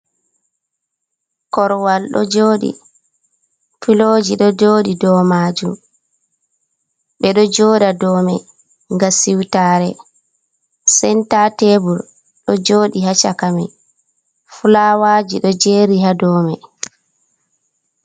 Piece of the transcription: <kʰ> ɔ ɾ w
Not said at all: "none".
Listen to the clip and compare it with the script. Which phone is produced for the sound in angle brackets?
k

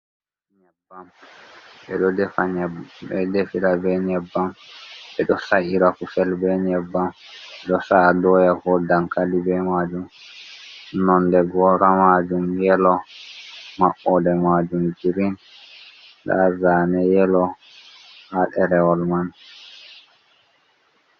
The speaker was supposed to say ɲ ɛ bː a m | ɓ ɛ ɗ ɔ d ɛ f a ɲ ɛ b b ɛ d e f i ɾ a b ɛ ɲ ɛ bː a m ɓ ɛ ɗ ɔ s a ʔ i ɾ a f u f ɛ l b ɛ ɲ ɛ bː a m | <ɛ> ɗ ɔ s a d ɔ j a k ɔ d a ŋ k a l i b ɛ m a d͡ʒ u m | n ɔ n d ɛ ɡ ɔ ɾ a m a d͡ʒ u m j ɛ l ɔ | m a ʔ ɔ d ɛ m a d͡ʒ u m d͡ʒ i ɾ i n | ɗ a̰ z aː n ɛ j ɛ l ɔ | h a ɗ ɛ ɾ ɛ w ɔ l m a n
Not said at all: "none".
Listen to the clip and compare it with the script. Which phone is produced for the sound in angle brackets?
ɛ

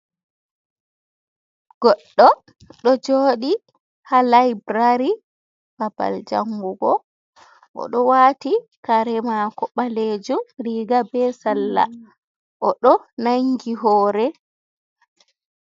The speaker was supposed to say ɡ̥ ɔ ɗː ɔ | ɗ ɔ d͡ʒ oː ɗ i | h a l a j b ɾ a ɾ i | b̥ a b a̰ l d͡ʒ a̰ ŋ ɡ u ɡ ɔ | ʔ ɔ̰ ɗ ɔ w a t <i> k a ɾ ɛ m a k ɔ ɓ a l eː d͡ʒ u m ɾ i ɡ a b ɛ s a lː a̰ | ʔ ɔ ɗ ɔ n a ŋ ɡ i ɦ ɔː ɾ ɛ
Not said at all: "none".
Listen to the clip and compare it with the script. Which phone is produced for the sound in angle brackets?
i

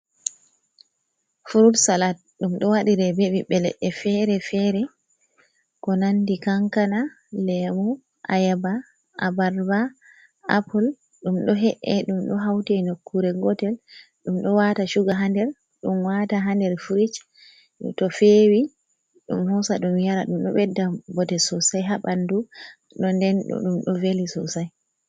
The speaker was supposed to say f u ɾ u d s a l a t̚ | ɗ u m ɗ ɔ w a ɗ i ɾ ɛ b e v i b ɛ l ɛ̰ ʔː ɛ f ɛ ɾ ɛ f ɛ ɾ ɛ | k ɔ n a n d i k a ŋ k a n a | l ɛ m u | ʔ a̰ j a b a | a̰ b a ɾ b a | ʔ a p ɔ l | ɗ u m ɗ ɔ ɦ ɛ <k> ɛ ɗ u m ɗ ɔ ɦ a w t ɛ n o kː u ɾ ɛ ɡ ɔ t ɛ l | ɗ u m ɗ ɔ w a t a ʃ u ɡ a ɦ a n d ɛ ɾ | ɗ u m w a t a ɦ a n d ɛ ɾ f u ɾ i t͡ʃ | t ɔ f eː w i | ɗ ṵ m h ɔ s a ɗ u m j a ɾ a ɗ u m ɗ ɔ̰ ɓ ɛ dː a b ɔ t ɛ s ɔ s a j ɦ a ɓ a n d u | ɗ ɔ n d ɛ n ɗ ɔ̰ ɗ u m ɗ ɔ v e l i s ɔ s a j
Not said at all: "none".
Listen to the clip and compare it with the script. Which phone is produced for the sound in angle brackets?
ʔ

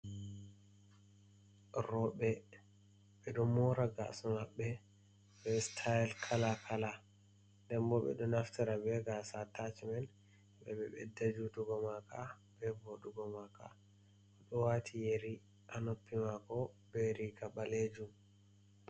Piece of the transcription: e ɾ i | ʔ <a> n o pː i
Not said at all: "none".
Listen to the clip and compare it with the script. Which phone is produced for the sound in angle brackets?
a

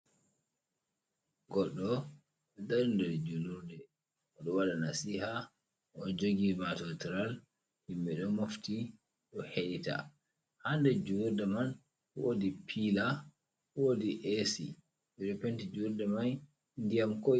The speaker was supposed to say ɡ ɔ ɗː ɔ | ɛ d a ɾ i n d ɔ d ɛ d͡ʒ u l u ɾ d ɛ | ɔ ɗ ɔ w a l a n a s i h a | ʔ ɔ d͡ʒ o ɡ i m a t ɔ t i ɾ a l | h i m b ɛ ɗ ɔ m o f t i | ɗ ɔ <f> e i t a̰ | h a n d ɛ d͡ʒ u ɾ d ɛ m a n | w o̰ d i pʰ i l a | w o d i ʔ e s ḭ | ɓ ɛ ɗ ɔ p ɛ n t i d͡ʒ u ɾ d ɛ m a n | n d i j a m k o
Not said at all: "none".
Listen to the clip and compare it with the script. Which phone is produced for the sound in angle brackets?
h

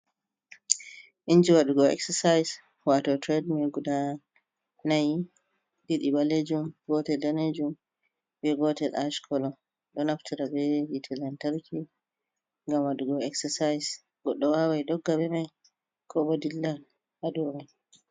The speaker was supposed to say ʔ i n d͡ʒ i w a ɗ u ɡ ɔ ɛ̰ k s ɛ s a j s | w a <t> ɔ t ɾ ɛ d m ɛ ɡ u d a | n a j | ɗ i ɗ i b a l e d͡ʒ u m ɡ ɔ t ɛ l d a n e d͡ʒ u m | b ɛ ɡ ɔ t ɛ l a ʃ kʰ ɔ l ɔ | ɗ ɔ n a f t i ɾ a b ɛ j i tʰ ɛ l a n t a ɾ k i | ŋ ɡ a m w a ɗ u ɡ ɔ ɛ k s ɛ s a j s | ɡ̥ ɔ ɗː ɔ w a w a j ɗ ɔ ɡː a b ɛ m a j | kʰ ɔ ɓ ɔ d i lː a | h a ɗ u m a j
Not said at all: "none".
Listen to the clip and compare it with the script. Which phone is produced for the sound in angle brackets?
t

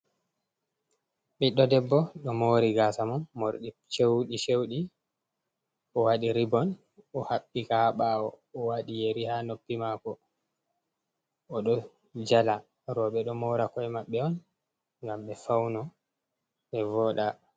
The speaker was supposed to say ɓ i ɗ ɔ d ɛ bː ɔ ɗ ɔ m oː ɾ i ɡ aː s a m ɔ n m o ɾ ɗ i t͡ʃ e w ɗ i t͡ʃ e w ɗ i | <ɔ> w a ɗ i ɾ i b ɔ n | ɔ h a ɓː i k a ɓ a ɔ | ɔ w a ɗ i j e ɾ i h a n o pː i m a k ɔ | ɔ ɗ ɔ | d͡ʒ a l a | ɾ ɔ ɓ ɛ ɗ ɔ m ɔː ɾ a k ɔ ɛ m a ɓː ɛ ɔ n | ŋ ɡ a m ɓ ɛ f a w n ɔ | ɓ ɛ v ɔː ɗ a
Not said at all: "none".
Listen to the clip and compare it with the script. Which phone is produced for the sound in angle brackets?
ɔ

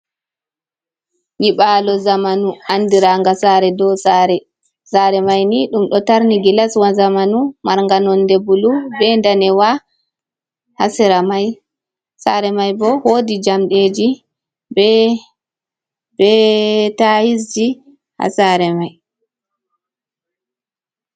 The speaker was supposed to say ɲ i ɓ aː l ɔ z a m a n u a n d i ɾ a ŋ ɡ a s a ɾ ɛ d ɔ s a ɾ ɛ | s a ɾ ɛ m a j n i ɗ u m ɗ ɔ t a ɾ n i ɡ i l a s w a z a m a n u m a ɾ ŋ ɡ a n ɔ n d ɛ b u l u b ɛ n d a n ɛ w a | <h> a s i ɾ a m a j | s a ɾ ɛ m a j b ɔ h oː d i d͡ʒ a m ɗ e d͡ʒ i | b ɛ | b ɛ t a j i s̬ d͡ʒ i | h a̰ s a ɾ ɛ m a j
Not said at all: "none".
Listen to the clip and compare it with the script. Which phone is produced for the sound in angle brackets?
h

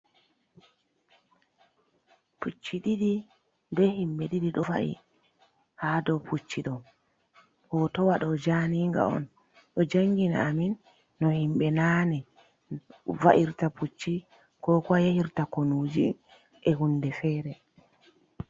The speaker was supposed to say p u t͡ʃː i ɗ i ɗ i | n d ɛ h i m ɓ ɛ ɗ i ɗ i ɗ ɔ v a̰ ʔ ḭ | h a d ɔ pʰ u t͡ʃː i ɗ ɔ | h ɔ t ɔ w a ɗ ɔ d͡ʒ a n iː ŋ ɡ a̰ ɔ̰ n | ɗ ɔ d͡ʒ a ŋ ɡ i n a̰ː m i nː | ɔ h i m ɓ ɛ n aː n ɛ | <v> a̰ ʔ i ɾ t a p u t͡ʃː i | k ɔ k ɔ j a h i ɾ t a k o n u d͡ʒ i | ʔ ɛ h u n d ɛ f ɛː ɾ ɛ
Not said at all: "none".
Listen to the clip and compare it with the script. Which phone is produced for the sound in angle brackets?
v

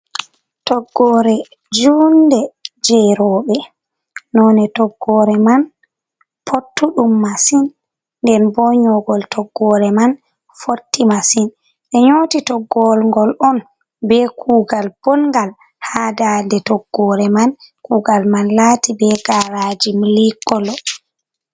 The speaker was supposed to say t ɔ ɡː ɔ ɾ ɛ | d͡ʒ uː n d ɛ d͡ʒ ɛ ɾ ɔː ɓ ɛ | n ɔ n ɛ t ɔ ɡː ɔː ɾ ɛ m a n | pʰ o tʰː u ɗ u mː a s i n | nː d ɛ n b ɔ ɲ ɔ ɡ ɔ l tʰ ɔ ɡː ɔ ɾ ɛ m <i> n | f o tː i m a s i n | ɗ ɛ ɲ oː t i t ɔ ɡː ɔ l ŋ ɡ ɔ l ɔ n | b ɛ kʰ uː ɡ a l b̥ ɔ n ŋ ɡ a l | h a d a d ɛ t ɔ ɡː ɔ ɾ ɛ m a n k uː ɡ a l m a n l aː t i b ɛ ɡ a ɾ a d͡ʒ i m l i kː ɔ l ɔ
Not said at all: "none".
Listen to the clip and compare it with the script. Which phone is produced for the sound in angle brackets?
a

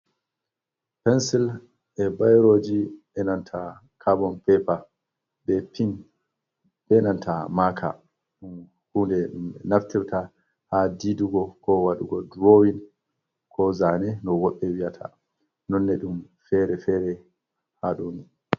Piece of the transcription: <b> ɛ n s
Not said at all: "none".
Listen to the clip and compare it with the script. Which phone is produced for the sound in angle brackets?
p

